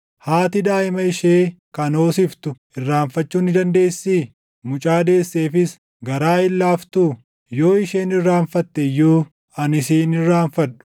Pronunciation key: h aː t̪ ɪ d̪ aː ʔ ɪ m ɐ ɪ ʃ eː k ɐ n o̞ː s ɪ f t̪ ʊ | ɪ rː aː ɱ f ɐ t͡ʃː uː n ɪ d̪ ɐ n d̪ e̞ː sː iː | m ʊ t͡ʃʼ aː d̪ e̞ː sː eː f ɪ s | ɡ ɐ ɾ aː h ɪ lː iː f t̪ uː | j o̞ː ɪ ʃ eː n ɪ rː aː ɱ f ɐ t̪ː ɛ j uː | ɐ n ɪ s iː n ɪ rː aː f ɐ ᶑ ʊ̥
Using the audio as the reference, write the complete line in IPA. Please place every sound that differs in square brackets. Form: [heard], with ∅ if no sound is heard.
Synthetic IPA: h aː t̪ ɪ d̪ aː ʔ ɪ m ɐ ɪ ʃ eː k ɐ n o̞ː s ɪ f t̪ ʊ | ɪ rː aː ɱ f ɐ t͡ʃː uː n ɪ d̪ ɐ n d̪ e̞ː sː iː | m ʊ t͡ʃʼ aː d̪ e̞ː sː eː f ɪ s | ɡ ɐ ɾ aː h ɪ lː [aː] f t̪ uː | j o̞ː ɪ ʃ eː n ɪ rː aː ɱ f ɐ t̪ː ɛ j uː | ɐ n ɪ s iː n ɪ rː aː f ɐ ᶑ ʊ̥